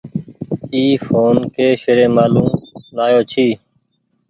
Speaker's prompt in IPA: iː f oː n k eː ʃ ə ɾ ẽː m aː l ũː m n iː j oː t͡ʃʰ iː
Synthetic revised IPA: iː f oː n k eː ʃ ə ɾ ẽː m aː l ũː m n aː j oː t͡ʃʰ iː